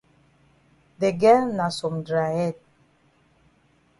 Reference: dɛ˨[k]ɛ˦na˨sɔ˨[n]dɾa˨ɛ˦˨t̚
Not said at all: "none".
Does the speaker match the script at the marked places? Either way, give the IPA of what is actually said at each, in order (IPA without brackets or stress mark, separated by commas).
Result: ɡ, m